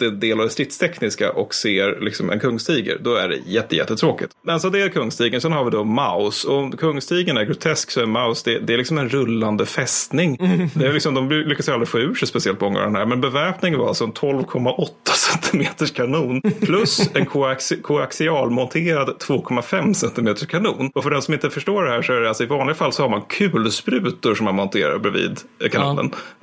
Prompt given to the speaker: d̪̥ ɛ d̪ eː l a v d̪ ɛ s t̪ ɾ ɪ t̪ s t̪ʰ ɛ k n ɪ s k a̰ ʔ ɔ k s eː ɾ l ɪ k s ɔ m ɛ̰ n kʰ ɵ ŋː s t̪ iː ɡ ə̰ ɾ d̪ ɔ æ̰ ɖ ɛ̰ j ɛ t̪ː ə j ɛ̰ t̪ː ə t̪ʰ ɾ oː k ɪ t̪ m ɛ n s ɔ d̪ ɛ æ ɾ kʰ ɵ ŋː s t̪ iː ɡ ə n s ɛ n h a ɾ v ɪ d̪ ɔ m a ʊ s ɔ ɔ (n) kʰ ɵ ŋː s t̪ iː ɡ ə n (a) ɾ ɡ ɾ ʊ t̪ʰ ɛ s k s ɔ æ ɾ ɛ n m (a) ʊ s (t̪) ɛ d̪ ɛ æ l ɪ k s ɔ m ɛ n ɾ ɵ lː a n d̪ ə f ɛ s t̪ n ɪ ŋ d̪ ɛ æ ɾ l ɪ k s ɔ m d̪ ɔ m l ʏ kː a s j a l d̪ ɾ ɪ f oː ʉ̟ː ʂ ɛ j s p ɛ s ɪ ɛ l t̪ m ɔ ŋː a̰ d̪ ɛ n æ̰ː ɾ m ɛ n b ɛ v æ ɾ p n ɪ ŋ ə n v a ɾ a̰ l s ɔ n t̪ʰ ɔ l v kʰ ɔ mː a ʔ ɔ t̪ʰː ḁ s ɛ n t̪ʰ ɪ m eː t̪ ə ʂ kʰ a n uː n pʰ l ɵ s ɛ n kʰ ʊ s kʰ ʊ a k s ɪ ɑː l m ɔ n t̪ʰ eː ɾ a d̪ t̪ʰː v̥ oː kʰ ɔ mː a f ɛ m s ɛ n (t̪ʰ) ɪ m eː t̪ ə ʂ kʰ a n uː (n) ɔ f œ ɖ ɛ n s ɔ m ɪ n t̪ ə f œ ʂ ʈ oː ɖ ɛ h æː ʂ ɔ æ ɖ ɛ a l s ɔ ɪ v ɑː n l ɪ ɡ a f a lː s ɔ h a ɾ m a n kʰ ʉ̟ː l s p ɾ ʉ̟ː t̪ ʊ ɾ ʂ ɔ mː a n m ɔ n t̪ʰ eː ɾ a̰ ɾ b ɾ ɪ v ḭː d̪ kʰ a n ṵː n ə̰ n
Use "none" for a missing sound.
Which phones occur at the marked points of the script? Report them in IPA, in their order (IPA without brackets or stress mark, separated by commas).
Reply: m, æ, a, d̪, t̪, n